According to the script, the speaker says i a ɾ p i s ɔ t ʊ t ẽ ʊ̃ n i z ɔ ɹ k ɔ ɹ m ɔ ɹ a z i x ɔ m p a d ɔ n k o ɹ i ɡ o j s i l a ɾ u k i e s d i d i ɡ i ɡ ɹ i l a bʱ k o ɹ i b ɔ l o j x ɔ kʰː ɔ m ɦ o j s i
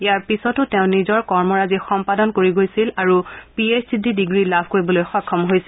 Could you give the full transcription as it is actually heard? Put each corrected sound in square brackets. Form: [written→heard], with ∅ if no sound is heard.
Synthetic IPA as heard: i a [ɾ→ɹ] p i s ɔ t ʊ t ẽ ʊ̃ n i z ɔ ɹ k ɔ ɹ m ɔ ɹ a z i x ɔ m p a d ɔ n k o ɹ i ɡ o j s i l a [ɾ→ɹ] u [k→p] i e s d i d i [ɡ→d] i ɡ ɹ i l a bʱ k o ɹ i b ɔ l o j x ɔ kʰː ɔ m ɦ o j s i